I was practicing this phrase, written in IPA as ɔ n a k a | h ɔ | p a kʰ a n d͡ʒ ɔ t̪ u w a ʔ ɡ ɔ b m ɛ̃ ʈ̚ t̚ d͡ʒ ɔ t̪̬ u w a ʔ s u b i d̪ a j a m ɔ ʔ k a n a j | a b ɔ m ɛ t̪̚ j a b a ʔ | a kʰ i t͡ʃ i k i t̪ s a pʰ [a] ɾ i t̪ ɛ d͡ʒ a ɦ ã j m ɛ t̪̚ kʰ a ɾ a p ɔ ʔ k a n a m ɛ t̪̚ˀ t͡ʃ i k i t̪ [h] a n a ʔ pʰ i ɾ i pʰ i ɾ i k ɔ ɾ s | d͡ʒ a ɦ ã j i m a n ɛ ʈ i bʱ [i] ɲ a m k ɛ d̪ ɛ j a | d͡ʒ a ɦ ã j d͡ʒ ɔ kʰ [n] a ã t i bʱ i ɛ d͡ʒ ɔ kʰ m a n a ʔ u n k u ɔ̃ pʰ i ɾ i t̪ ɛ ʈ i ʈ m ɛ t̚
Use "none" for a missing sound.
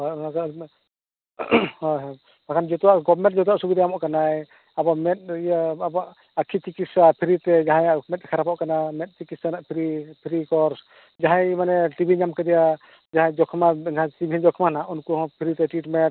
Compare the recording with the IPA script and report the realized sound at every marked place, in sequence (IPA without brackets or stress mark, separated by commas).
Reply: i, s, i, m